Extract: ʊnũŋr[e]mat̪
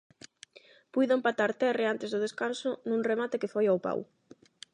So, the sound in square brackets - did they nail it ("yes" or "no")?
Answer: yes